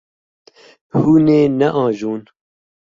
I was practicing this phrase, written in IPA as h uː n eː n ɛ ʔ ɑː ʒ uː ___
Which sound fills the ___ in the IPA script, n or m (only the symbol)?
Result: n